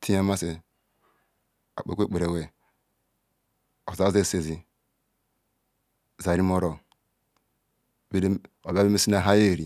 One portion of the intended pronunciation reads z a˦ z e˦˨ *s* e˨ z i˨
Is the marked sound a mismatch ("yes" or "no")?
no